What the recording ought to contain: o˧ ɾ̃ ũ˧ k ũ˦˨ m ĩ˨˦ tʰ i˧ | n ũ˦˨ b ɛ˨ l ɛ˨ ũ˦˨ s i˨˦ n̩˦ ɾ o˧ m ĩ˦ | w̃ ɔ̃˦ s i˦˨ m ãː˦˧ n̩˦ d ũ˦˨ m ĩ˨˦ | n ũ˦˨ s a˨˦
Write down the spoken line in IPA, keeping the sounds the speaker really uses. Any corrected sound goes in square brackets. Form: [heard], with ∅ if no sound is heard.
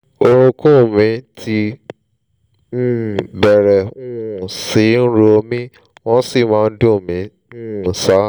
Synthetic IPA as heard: o˧ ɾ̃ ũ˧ k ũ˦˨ m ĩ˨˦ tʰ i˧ | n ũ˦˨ b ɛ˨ [ɾ] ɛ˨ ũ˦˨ s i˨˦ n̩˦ ɾ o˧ m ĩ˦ | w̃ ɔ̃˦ s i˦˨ m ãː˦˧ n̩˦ d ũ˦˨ m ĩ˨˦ | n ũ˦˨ s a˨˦